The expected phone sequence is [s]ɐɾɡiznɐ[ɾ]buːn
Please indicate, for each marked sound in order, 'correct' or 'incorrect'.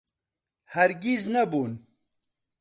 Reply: incorrect: h, incorrect: none

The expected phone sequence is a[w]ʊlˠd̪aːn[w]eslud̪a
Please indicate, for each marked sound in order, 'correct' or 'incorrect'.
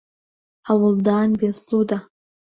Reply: correct, incorrect: b

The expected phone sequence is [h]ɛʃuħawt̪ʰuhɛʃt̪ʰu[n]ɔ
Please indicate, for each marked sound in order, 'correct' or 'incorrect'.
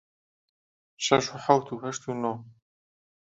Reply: incorrect: ʃ, correct

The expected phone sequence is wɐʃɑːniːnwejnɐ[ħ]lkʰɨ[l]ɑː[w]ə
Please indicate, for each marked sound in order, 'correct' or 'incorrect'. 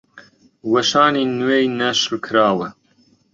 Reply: incorrect: ʃ, incorrect: ɾ, correct

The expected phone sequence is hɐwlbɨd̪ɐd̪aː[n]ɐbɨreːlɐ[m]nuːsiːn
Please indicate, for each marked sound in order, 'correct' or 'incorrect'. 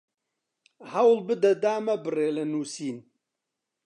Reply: incorrect: m, incorrect: none

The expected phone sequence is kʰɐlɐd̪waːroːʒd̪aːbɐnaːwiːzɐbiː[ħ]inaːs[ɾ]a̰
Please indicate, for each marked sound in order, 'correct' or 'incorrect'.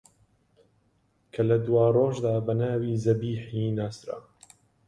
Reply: correct, correct

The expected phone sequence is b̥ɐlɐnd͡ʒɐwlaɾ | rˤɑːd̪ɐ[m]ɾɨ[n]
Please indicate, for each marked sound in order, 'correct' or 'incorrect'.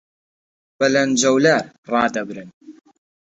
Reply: incorrect: b, correct

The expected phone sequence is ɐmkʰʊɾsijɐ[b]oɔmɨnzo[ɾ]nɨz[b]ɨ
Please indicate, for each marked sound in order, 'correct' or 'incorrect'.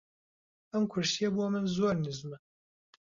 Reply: correct, correct, incorrect: m

